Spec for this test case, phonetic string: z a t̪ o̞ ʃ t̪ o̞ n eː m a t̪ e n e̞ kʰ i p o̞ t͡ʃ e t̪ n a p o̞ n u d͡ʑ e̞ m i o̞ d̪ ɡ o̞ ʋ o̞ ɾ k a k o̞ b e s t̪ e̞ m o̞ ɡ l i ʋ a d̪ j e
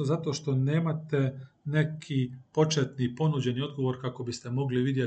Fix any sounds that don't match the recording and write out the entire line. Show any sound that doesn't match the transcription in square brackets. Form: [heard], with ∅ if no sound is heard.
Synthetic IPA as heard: z a t̪ o̞ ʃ t̪ o̞ n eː m a t̪ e n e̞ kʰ i p o̞ t͡ʃ e t̪ n [i] p o̞ n u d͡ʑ e̞ [n] i o̞ d̪ ɡ o̞ ʋ o̞ ɾ k a k o̞ b [i] s t̪ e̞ m o̞ ɡ l i ʋ [i] d̪ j e